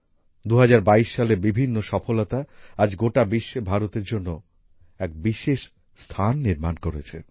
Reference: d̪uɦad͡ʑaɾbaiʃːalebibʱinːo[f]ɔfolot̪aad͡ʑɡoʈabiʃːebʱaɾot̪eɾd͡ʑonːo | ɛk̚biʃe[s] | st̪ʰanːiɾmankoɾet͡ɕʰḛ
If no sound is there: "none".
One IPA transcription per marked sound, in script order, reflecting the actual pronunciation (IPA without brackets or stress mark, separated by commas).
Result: ʃ, ʃ